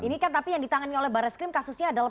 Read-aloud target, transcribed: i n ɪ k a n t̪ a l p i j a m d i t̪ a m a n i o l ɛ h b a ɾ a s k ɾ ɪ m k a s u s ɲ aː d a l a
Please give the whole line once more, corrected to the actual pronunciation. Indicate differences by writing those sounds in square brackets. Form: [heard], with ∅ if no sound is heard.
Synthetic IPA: i n [i] k a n t̪ a [∅] p i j a [ŋ] d i t̪ a [ŋ] a n i o l ɛ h b a ɾ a s k ɾ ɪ m k a s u s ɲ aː d a l a